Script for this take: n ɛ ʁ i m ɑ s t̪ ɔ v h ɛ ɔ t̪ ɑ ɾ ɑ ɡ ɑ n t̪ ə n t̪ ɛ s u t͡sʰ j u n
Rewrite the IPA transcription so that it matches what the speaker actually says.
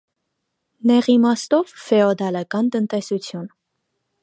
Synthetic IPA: n ɛ ʁ i m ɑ s t̪ ɔ v f ɛ ɔ d̪ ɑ l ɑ k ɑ n t̪ ə n t̪ ɛ s u t͡sʰ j u n